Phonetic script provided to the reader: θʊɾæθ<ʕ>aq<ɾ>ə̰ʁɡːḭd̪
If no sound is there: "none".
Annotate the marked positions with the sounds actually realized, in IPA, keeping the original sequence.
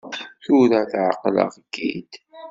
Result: ʕ, l

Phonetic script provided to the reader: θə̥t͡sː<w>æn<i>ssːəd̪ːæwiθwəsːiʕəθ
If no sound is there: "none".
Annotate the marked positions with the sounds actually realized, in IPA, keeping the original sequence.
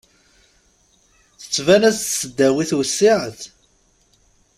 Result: v, æ

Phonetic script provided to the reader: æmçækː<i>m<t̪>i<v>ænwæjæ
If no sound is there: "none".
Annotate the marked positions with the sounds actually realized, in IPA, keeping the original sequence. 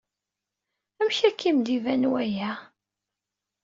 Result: i, d̪, v

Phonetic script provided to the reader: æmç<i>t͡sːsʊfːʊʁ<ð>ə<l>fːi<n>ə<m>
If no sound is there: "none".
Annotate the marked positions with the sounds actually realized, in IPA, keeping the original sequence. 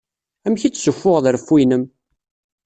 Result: i, ð, ɾ, n, m

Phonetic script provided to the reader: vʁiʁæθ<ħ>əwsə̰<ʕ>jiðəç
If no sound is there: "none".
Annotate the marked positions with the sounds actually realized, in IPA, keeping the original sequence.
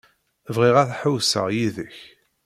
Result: ħ, ʁ

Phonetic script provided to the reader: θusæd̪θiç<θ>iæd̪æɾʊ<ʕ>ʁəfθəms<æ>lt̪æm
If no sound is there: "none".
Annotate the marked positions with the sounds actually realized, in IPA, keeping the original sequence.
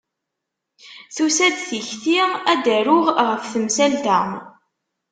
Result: θ, ʁ, æ

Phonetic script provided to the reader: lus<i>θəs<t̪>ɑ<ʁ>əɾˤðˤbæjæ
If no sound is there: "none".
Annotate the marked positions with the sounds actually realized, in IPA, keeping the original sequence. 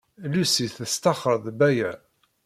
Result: i, t̪, χ

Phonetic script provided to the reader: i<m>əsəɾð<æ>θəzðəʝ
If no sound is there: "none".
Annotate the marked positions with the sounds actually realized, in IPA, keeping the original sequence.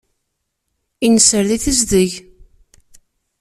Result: n, i

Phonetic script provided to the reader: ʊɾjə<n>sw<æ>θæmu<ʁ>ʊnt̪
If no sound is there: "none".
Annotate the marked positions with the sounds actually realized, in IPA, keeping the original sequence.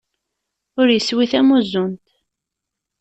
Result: none, i, z

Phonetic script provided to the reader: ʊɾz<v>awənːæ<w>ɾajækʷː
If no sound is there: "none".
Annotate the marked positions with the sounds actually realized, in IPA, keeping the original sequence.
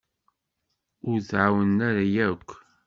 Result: ʕ, none

